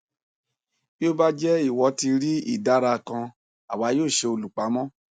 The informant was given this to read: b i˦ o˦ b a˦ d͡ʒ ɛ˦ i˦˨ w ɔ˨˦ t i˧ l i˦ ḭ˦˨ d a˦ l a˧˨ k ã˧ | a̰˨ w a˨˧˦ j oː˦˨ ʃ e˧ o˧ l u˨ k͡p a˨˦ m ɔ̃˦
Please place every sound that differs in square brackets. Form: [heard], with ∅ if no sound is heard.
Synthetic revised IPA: b i˦ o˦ b a˦ d͡ʒ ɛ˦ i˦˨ w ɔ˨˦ t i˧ [ɾ] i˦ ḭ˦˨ d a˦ [ɾ] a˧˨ k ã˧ | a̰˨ w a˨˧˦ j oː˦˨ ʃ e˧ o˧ l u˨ k͡p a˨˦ m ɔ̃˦

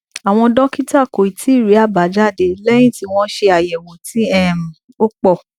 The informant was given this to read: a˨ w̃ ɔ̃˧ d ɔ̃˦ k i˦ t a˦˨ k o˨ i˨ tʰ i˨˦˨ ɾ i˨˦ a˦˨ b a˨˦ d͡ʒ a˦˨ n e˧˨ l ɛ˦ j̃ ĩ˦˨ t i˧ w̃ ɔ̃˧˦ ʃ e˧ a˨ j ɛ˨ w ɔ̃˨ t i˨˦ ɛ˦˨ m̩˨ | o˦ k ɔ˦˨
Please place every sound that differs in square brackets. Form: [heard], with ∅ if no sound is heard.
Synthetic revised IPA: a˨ w̃ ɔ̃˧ d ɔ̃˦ k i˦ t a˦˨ k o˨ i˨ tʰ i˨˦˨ ɾ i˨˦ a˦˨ b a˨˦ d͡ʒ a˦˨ [d] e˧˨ l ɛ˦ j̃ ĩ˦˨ t i˧ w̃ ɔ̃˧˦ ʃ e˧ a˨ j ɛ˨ w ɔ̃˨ t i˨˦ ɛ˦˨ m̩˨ | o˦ [k͡p] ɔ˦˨

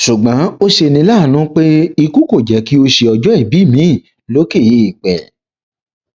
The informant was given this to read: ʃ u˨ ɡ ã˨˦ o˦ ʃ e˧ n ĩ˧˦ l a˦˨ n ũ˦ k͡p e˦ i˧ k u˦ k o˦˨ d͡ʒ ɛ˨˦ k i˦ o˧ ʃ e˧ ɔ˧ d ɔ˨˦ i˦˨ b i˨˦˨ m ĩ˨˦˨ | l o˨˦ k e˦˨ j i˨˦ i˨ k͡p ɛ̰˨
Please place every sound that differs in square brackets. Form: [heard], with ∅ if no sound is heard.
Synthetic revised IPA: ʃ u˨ [ɡ͡b] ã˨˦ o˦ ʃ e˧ n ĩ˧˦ l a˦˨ n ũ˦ k͡p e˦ i˧ k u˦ k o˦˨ d͡ʒ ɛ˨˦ k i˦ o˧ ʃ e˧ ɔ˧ [d͡ʒ] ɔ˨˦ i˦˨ b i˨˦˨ m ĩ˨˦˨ | l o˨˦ k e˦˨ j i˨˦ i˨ k͡p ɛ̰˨

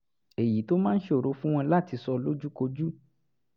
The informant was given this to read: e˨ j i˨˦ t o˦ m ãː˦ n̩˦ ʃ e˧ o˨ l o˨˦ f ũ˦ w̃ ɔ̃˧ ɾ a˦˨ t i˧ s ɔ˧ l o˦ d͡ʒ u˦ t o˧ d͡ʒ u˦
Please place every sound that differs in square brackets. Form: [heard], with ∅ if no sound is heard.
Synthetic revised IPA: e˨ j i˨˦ t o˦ m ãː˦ n̩˦ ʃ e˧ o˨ [ɾ] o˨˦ f ũ˦ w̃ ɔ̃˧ [l] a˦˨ t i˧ s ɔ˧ l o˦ d͡ʒ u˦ [k] o˧ d͡ʒ u˦

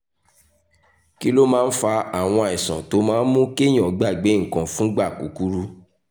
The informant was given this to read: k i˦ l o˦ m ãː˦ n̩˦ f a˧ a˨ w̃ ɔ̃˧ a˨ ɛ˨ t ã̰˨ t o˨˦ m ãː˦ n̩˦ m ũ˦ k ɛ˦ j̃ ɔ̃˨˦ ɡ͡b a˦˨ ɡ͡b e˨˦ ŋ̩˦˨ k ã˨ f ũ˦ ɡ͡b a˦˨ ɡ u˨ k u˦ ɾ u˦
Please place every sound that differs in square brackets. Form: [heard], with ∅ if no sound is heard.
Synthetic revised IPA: k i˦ l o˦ m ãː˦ n̩˦ f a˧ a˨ w̃ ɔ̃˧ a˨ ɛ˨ [s] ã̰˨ t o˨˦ m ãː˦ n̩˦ m ũ˦ k [e˦] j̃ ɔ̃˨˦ ɡ͡b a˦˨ ɡ͡b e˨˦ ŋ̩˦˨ k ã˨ f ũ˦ ɡ͡b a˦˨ [k] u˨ k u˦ ɾ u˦

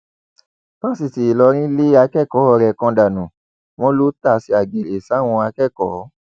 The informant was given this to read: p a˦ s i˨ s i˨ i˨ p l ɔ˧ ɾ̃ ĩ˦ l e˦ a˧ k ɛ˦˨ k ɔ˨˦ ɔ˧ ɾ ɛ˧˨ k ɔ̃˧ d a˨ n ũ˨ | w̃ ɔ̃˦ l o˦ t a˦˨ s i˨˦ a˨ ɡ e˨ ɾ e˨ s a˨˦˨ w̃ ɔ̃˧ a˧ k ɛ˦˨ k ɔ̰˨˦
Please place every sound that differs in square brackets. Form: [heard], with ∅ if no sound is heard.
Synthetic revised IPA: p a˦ s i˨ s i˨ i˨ [∅] l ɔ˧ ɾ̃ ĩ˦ l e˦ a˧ k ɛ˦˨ k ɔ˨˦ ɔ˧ ɾ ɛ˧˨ k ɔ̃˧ d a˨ n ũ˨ | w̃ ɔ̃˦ l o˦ t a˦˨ s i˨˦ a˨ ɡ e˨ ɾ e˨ s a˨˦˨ w̃ ɔ̃˧ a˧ k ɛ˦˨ k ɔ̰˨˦

